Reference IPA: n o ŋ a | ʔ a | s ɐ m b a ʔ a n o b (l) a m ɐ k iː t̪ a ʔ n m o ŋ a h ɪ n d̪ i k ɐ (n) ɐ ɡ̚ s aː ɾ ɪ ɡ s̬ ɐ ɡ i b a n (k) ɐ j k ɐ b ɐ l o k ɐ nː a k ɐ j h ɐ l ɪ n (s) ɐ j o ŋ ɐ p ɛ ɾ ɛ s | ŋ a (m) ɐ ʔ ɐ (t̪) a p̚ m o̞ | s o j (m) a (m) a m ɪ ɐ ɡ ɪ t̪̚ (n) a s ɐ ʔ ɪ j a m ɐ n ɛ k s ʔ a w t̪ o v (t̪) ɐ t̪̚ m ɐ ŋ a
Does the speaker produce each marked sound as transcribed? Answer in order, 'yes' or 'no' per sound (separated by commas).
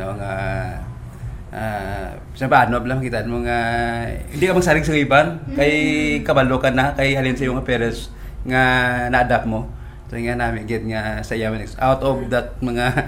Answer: yes, no, yes, yes, no, no, no, no, no, no